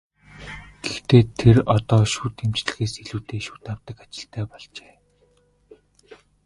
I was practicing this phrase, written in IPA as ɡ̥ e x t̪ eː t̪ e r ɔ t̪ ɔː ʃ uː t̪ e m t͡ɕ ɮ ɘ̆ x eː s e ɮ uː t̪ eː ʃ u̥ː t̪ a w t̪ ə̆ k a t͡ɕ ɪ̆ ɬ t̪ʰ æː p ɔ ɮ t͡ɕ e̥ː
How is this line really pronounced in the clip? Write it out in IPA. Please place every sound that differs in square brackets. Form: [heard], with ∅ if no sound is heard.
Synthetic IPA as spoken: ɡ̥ e x t̪ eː [t̪ʰ] e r ɔ t̪ ɔː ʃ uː t̪ e m t͡ɕ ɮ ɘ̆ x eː s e ɮ uː t̪ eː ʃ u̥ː t̪ a w t̪ ə̆ k a t͡ɕ ɪ̆ ɬ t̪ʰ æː p ɔ ɮ t͡ɕ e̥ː